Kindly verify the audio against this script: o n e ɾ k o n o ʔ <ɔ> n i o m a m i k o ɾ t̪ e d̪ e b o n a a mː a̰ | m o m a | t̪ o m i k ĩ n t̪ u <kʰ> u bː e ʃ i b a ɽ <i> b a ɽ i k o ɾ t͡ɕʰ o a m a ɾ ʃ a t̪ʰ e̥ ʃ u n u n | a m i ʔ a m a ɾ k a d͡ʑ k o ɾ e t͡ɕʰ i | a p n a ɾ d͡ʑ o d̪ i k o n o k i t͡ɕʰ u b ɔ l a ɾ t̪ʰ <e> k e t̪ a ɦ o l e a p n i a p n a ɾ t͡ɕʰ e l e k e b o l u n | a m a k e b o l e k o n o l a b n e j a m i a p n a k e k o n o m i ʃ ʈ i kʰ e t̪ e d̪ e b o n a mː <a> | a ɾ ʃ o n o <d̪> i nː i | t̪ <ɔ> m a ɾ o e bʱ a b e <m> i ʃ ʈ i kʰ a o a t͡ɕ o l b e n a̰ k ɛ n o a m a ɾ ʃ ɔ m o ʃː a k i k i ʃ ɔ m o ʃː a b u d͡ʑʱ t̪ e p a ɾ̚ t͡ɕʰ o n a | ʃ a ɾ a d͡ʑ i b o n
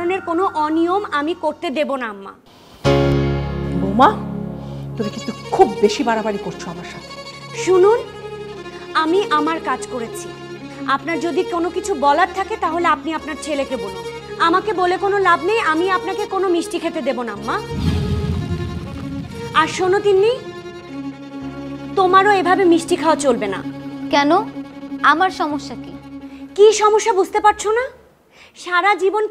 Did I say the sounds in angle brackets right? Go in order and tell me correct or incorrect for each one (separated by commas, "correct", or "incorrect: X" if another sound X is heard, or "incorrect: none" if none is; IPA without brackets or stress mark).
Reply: correct, correct, incorrect: a, incorrect: a, correct, incorrect: t̪, incorrect: o, correct